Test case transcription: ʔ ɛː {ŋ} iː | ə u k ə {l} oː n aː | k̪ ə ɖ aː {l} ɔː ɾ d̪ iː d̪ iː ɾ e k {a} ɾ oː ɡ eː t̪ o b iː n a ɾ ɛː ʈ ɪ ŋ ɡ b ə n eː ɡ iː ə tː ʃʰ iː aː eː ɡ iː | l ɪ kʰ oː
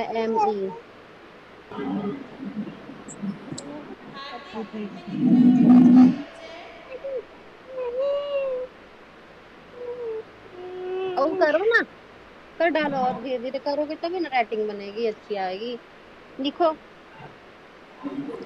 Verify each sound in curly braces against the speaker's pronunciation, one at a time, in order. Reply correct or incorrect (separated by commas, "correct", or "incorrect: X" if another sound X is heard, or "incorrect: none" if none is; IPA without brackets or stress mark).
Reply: incorrect: m, incorrect: ɾ, correct, incorrect: ə